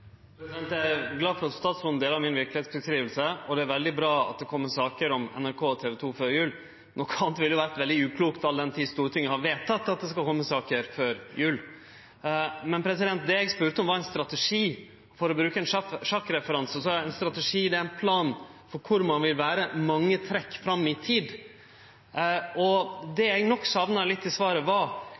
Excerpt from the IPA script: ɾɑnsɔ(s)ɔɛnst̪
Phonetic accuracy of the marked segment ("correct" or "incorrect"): correct